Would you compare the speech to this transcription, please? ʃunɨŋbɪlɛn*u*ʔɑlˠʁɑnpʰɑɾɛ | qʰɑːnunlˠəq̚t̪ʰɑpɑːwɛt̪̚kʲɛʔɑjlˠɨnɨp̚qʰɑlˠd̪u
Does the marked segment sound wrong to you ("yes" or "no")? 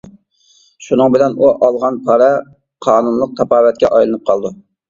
no